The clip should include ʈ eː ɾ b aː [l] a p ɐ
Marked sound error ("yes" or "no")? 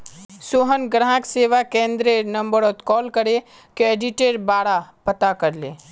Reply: yes